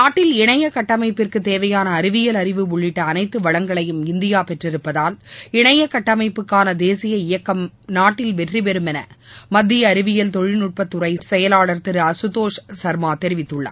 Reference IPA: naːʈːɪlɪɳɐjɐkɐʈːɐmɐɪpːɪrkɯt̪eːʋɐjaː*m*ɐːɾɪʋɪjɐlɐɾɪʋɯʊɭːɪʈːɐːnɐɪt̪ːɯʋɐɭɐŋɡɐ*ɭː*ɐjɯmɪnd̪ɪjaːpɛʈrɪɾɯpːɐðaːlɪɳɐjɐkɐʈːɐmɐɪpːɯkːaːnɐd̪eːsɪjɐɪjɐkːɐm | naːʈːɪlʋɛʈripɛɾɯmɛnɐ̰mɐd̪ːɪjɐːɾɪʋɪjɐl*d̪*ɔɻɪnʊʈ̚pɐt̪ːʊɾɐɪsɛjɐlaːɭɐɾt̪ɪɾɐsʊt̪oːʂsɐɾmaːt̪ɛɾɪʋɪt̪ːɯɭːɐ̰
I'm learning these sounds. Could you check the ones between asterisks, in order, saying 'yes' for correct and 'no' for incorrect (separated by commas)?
no, no, no